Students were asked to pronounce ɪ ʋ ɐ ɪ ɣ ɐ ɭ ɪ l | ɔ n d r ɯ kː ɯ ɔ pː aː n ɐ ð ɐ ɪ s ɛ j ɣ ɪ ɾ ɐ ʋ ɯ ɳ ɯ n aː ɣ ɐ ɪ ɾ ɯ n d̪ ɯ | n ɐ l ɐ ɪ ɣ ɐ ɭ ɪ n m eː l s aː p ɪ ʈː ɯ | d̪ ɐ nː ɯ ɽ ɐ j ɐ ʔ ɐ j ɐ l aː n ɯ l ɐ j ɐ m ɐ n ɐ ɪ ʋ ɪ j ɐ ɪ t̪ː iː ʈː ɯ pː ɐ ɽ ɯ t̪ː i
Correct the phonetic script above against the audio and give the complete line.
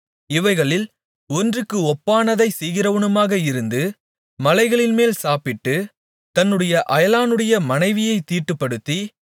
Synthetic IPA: ɪ ʋ ɐ ɪ ɣ ɐ ɭ ɪ l | ɔ n d r ɯ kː ɯ ɔ pː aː n ɐ ð ɐ ɪ s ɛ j ɣ ɪ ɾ ɐ ʋ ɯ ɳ ɯ m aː ɣ ɐ ɪ ɾ ɯ n d̪ ɯ | m ɐ l ɐ ɪ ɣ ɐ ɭ ɪ n m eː l s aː p ɪ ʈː ɯ | t̪ ɐ nː ɯ ɽ ɐ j ɐ ʔ ɐ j ɐ l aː n ɯ ɽ ɐ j ɐ m ɐ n ɐ ɪ ʋ ɪ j ɐ ɪ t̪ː iː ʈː ɯ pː ɐ ɽ ɯ t̪ː i